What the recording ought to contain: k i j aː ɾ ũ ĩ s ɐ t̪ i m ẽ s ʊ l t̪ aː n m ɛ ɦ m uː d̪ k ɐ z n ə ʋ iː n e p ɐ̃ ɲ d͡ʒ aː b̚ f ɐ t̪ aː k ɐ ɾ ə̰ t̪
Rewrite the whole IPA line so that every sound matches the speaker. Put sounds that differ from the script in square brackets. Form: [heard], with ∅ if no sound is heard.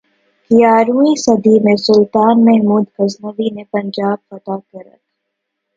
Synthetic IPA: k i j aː ɾ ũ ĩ s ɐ [d̪] i m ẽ s ʊ l t̪ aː n m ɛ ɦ m uː d̪ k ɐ z n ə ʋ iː n e p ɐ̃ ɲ d͡ʒ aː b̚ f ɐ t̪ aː k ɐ ɾ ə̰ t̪

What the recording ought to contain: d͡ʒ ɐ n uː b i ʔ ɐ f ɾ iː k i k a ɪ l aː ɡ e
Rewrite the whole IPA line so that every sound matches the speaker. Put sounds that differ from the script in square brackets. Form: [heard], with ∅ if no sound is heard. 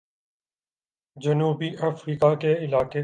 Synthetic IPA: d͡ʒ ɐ n uː b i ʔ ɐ f ɾ iː k [a] k [e] ɪ l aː [k] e

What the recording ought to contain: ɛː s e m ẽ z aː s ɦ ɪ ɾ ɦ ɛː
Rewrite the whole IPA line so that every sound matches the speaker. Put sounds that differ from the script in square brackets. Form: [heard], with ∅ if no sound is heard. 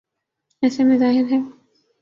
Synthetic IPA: ɛː s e m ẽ z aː [∅] ɦ ɪ ɾ ɦ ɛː

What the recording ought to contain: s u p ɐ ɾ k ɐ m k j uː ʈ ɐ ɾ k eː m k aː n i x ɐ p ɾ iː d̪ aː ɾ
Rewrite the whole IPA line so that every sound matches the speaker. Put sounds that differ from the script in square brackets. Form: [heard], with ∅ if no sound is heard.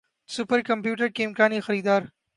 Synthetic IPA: s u p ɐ ɾ k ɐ m [p] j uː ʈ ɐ ɾ k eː m k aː n i x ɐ [∅] ɾ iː d̪ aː ɾ

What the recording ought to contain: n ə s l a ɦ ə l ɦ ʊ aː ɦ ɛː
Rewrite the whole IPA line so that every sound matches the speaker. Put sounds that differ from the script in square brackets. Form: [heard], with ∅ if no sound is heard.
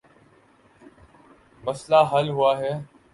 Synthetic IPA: [m] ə s l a ɦ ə l ɦ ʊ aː ɦ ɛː

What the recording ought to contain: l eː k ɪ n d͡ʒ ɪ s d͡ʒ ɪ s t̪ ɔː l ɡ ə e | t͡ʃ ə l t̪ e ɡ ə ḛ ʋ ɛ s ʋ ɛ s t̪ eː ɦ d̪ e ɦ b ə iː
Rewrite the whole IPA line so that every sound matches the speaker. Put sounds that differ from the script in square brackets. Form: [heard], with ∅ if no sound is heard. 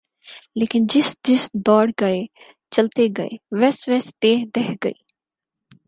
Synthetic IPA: l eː k ɪ n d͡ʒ ɪ s d͡ʒ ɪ s [d̪] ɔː [ɽ] ɡ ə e | t͡ʃ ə l t̪ e ɡ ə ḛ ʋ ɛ s ʋ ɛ s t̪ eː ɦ d̪ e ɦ [ɡ] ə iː

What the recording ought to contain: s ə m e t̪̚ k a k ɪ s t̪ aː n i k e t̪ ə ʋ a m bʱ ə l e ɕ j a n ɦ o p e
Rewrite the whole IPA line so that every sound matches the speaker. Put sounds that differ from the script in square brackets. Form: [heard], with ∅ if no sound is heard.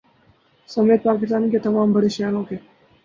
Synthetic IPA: s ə m e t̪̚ [p] a k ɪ s t̪ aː n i k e t̪ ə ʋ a m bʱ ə [ɽ] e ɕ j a n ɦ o [k] e

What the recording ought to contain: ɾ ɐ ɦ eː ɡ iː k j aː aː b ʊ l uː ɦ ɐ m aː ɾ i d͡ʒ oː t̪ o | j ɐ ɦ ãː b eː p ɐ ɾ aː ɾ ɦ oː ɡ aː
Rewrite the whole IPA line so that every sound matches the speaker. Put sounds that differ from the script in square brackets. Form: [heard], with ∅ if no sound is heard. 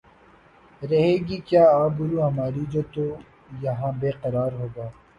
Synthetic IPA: ɾ ɐ ɦ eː ɡ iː k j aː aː b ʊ [ɾ] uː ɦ ɐ m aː ɾ i d͡ʒ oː t̪ o | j ɐ ɦ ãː b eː [q] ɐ ɾ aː ɾ ɦ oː ɡ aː

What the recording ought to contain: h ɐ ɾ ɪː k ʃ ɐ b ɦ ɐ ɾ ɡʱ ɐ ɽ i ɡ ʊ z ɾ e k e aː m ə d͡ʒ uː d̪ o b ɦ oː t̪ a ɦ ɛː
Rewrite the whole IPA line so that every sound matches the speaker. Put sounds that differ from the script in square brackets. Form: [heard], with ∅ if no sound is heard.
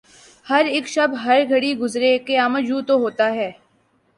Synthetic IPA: h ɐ ɾ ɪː k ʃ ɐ b ɦ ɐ ɾ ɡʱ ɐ ɽ i ɡ ʊ z ɾ e k e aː m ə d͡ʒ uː [t̪] o [∅] ɦ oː t̪ a ɦ ɛː

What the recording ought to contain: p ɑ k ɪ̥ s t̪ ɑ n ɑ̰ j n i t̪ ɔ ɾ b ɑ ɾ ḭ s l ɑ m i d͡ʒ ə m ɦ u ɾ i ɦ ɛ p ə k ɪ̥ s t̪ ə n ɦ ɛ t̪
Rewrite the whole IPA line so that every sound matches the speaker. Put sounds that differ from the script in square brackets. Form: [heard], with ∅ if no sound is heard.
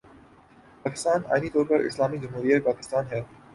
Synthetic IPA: p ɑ k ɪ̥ s t̪ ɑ n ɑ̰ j n i t̪ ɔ ɾ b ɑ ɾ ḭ s l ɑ m i d͡ʒ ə m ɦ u ɾ i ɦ ɛ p [ɑ] k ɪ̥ s t̪ [ɑ] n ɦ ɛ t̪

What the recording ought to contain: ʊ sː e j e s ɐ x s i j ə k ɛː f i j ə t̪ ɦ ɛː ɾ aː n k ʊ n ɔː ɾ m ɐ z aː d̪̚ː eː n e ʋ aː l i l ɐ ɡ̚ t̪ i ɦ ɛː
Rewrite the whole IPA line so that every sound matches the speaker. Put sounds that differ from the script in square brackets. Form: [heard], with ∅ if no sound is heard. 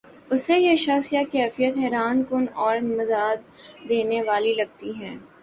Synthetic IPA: ʊ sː e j e [ʃ] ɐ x s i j [a] k ɛː f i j ə t̪ ɦ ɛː ɾ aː n k ʊ n ɔː ɾ m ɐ z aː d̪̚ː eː n e ʋ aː l i l ɐ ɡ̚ t̪ i ɦ ɛː

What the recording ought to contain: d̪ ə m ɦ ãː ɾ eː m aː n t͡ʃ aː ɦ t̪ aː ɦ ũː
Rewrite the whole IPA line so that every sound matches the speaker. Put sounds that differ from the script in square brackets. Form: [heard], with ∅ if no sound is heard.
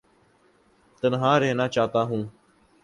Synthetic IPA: [t̪] ə [n] ɦ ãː ɾ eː [n] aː [∅] t͡ʃ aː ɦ t̪ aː ɦ ũː

